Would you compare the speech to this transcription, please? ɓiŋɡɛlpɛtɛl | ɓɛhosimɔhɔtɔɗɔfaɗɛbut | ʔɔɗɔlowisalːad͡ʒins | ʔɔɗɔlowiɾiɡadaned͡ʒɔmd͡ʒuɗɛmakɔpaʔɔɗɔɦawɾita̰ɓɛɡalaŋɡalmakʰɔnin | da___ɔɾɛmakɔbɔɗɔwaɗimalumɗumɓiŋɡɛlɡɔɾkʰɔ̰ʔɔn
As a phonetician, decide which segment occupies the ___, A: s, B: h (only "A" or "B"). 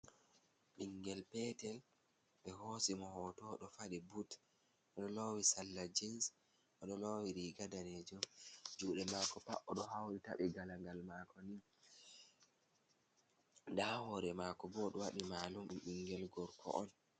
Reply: B